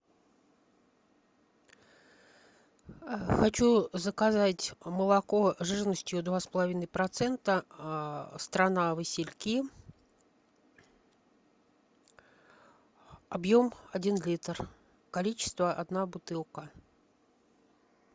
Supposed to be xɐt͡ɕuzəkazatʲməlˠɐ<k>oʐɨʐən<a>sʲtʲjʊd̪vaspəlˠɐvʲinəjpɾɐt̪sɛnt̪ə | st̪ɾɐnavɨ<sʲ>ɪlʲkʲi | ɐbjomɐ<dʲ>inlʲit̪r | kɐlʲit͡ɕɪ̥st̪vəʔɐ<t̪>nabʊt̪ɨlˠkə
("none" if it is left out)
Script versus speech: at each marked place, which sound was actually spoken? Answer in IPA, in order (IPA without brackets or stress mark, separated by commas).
k, ə, sʲ, dʲ, d̪